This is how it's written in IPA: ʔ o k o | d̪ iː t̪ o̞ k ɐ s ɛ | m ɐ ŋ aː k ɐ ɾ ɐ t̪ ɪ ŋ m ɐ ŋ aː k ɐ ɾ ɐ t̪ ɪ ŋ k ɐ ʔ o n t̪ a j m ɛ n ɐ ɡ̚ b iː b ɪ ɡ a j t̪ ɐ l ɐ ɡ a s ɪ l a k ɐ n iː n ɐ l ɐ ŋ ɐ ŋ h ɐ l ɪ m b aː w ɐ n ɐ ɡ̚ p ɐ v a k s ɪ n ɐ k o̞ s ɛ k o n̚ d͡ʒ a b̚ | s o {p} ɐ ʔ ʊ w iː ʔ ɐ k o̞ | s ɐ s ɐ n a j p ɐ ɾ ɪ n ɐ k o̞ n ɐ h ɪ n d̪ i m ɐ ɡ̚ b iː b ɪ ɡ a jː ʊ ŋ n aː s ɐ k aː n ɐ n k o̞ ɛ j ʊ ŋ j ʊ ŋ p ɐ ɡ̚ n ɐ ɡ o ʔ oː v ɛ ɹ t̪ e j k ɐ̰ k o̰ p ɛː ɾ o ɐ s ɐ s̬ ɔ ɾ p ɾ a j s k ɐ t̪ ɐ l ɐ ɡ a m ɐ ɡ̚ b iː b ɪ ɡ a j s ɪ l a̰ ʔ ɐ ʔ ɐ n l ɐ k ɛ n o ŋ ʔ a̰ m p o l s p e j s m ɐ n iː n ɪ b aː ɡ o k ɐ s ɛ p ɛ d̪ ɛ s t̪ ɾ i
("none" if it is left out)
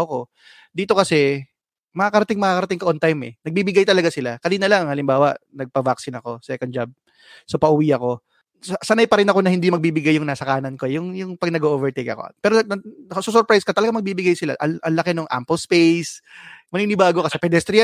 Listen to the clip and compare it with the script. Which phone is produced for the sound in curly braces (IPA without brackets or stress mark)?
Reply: p